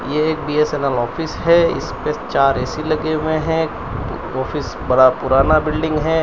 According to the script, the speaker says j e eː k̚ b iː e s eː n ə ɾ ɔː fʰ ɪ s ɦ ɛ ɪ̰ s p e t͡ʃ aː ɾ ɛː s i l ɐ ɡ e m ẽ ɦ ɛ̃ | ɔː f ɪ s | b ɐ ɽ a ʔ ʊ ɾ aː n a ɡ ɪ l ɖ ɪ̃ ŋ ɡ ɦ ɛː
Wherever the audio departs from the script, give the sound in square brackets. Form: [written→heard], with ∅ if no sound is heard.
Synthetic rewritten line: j e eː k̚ b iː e s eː n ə [ɾ→l] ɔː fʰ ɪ s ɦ ɛ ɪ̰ s p e t͡ʃ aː ɾ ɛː s i l ɐ ɡ e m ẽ ɦ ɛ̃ | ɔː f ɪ s | b ɐ ɽ a [ʔ→p] ʊ ɾ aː n a [ɡ→b] ɪ l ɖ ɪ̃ ŋ ɡ ɦ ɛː

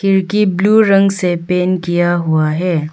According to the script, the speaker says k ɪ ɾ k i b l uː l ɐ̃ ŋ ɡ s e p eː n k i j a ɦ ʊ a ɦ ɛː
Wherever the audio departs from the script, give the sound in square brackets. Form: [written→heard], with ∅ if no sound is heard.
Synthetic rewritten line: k ɪ ɾ k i b l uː [l→ɾ] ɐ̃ ŋ ɡ s e p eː n k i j a ɦ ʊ a ɦ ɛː

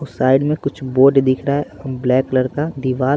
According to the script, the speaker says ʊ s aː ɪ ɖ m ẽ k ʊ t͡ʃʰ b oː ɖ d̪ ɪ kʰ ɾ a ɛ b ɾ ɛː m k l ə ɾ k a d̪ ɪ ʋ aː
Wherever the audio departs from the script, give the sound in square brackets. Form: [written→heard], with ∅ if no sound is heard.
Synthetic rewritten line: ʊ s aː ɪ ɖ m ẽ k ʊ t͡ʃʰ b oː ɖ d̪ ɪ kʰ ɾ a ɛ b [ɾ→l] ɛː [m→∅] k l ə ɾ k a d̪ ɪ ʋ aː

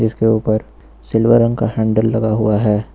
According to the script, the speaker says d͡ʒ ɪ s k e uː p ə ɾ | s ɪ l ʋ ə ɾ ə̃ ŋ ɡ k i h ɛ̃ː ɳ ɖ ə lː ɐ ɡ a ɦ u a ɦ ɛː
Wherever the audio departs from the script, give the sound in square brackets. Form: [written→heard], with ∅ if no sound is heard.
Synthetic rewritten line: d͡ʒ ɪ s k e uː p ə ɾ | s ɪ l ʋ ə ɾ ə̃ ŋ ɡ k [i→a] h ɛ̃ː ɳ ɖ ə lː ɐ ɡ a ɦ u a ɦ ɛː

